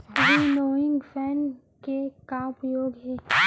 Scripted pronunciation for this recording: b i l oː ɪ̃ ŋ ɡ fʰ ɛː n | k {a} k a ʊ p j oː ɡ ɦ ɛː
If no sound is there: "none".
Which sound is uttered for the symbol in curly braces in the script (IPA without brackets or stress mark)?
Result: e